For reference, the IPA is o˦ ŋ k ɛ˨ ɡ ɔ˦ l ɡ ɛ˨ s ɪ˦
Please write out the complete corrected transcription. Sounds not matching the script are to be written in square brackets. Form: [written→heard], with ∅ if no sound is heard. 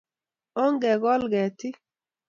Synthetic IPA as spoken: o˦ ŋ [k→ɡ] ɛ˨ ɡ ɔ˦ l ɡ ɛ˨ [s→t] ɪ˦